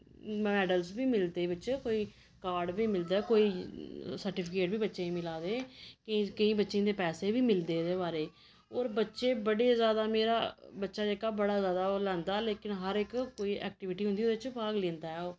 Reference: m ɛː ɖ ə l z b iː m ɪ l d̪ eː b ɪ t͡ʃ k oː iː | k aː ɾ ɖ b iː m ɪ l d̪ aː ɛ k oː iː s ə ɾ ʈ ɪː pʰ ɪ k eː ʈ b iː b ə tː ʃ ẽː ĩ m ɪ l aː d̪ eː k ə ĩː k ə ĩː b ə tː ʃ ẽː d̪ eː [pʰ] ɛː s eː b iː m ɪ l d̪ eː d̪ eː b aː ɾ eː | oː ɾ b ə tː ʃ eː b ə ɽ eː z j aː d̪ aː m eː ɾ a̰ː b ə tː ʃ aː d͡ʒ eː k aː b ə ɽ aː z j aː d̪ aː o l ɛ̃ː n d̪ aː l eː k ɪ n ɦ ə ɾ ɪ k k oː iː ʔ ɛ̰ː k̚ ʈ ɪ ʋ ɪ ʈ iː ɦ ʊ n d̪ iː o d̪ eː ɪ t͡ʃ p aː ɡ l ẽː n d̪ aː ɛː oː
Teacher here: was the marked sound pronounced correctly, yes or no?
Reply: no